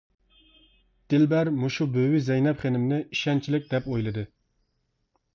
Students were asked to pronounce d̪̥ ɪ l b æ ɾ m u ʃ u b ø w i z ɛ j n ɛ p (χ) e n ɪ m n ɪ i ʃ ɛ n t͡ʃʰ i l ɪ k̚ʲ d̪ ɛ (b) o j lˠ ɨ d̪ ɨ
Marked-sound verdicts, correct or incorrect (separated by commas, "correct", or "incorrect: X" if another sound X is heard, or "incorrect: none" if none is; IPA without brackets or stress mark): correct, incorrect: p